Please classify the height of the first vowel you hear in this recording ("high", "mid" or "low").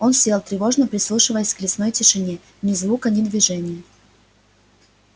mid